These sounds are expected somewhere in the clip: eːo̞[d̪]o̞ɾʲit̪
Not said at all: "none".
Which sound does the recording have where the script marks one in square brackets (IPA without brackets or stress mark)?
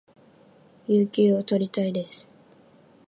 t̪